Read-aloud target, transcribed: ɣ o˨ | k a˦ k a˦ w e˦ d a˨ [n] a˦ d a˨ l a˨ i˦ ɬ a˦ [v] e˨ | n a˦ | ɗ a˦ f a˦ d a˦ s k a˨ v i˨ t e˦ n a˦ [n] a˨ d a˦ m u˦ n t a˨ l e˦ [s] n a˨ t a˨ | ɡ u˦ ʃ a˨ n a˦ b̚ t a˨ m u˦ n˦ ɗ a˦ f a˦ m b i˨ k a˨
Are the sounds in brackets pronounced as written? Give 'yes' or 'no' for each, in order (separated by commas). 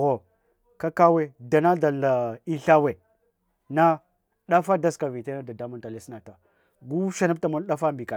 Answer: yes, no, no, yes